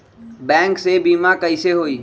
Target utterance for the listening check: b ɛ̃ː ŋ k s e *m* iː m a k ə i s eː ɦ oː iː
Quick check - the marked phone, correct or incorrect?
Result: incorrect